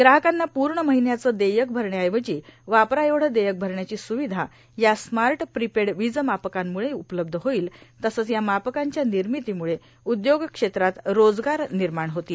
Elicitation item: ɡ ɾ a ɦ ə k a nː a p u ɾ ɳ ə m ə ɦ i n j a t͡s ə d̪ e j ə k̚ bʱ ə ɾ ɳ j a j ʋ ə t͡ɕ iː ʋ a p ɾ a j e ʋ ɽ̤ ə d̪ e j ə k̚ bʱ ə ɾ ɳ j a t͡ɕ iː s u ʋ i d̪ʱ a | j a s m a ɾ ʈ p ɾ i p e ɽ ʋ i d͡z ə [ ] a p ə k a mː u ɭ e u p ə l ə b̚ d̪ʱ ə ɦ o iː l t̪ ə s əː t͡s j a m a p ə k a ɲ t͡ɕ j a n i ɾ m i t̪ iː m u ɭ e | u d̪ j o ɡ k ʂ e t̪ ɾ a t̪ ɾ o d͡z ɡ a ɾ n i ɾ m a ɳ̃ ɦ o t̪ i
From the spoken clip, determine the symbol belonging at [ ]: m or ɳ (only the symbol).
m